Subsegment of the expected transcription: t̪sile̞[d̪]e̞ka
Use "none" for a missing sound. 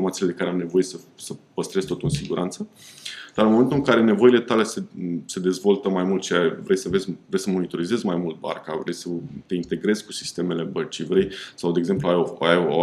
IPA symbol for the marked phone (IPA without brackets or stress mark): d̪